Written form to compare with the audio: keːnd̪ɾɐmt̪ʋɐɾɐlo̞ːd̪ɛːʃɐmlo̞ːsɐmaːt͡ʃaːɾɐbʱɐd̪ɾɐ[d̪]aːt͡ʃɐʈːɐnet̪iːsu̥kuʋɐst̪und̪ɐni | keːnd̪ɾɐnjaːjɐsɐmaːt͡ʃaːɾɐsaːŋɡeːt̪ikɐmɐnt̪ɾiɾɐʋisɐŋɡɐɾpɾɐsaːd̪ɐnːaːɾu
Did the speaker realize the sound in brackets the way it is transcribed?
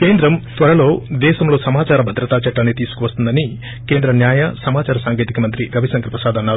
no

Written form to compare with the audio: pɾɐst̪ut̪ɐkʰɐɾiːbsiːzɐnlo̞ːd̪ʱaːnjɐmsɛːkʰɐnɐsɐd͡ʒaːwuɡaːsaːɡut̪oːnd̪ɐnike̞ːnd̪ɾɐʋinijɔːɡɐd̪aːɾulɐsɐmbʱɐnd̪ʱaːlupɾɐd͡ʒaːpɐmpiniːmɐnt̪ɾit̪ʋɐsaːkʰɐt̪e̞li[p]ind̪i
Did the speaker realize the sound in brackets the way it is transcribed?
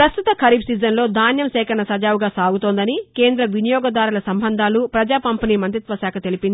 yes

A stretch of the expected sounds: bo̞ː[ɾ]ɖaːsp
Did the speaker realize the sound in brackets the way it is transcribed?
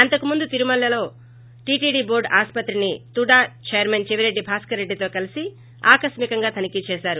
yes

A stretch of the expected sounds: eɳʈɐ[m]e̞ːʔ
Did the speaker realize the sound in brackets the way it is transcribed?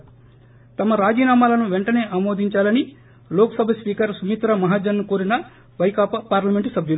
no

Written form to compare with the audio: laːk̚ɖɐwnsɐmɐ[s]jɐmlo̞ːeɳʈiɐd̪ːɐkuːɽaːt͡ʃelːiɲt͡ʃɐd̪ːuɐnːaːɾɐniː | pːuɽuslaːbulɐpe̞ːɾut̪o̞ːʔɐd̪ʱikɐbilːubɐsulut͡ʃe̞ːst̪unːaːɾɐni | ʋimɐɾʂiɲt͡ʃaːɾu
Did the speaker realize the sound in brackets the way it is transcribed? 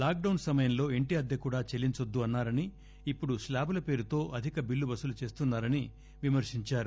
no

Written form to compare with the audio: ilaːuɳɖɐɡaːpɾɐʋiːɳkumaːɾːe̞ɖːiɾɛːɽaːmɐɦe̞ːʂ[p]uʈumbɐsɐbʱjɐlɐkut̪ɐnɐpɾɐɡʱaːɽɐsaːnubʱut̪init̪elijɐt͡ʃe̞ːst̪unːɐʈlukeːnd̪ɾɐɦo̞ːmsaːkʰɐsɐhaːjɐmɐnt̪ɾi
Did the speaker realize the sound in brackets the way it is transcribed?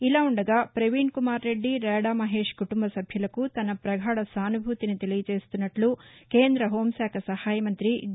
no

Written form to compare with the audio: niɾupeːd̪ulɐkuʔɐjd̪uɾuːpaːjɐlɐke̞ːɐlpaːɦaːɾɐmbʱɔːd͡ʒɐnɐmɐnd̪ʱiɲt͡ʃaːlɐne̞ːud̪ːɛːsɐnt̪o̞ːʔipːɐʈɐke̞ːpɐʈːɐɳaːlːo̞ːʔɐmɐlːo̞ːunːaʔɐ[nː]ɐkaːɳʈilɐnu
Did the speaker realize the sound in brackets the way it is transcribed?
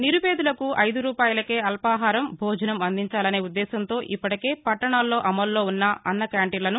yes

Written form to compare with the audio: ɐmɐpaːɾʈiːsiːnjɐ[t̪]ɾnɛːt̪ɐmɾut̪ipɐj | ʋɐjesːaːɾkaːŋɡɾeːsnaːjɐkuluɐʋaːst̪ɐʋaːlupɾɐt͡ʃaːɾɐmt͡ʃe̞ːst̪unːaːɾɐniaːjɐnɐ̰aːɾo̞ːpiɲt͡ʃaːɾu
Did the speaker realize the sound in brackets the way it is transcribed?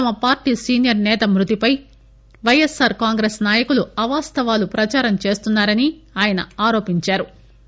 no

